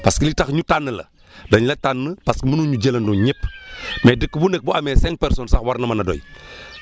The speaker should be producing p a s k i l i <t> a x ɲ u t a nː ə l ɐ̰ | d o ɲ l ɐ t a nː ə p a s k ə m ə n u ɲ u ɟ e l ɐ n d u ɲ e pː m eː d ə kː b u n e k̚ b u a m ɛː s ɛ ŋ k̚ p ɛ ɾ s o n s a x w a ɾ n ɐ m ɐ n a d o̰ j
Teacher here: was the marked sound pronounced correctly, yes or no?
yes